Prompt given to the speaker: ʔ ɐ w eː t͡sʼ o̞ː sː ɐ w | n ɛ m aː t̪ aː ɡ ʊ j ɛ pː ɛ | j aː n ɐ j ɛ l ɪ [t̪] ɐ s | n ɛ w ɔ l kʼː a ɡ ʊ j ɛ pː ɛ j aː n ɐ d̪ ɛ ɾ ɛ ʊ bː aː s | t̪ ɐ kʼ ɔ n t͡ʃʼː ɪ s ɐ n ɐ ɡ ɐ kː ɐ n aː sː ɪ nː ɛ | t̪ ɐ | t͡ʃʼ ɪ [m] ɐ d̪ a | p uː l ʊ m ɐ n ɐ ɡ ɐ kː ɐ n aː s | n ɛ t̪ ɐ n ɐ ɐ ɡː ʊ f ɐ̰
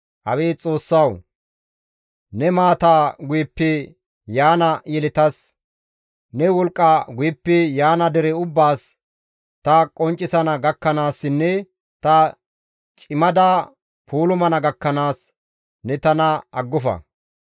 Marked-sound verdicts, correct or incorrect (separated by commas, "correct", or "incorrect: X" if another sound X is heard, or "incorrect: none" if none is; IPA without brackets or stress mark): correct, correct